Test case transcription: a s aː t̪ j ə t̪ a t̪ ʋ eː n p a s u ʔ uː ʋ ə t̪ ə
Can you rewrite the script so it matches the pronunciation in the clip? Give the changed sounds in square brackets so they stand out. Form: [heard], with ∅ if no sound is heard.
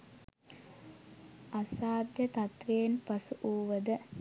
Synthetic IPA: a s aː [d̪] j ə t̪ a t̪ ʋ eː n p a s u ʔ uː ʋ ə [d̪] ə